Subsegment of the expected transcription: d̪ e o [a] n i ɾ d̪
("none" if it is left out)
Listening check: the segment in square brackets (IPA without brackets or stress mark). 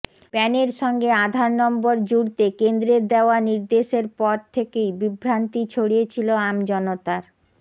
a